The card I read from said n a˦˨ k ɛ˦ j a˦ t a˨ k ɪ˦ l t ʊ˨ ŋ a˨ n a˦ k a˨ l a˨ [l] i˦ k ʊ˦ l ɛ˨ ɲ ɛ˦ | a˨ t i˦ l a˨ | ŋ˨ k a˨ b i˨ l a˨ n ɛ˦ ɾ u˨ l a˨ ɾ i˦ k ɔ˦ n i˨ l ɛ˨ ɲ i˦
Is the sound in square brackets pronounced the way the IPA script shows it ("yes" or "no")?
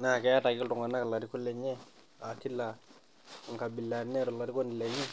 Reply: no